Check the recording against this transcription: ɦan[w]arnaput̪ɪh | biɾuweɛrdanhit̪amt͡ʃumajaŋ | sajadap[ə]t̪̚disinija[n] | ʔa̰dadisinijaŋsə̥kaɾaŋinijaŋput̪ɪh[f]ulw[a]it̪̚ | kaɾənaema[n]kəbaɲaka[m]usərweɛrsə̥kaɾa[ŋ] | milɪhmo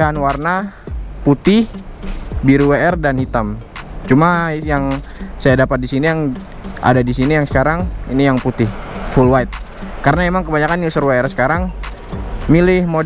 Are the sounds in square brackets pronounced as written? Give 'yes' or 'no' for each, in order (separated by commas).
yes, no, no, yes, yes, no, no, yes